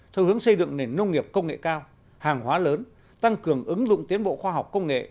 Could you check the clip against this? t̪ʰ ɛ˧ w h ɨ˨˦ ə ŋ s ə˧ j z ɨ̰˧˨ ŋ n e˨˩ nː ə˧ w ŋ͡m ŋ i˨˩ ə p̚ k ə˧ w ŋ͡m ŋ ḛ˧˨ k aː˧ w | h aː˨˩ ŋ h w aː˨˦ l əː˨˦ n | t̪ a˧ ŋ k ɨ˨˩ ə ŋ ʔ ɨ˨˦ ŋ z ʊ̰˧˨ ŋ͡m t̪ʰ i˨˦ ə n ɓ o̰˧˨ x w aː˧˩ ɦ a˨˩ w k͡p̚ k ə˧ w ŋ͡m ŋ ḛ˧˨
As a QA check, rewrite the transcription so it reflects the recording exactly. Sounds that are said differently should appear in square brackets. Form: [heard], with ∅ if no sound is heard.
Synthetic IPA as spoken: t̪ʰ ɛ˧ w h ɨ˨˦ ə ŋ s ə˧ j z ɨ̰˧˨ ŋ n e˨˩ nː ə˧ w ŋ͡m ŋ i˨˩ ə p̚ k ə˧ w ŋ͡m ŋ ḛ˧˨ k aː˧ w | h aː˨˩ ŋ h w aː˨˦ l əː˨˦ n | t̪ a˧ ŋ k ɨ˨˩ ə ŋ ʔ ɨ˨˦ ŋ z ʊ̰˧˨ ŋ͡m [t̪] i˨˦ ə n ɓ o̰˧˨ x w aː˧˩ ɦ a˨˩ w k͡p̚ k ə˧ w ŋ͡m ŋ ḛ˧˨